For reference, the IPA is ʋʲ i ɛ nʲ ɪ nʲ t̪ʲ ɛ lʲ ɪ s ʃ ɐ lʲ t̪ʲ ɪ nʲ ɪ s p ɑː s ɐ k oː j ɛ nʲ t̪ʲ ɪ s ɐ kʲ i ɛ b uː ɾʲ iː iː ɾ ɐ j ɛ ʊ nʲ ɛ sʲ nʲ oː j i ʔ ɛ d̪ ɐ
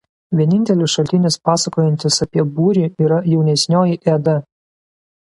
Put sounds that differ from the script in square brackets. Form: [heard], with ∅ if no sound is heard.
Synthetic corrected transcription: ʋʲ i ɛ nʲ ɪ nʲ t̪ʲ ɛ lʲ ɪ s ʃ ɐ lʲ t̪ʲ ɪ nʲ ɪ s p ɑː s ɐ k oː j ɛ nʲ t̪ʲ ɪ s ɐ [pʲ] i ɛ b uː ɾʲ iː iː ɾ ɐ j ɛ ʊ nʲ ɛ sʲ nʲ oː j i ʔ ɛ d̪ ɐ